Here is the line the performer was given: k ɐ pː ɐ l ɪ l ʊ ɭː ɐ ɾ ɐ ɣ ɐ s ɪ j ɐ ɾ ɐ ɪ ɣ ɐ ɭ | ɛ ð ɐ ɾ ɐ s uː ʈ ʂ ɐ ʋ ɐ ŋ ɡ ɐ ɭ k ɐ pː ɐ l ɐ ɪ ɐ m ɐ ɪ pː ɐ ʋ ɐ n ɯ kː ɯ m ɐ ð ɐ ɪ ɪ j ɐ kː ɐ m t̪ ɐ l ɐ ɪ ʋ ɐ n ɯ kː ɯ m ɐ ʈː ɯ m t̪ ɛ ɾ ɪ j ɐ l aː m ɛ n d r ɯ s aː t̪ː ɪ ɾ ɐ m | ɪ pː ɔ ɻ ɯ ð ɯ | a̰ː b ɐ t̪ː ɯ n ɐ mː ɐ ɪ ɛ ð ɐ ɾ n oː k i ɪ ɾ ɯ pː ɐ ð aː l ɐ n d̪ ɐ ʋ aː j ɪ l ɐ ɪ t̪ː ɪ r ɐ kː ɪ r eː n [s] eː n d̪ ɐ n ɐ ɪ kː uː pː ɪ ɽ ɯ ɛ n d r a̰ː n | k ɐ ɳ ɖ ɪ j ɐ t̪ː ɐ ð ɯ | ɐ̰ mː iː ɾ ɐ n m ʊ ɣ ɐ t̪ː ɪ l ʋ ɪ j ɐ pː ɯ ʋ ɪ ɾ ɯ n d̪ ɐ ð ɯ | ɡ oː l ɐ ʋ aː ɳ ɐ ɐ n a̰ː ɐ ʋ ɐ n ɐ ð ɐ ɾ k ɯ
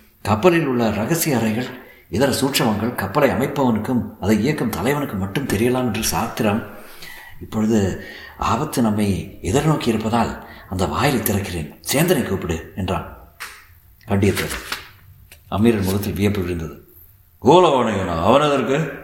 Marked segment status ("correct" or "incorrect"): correct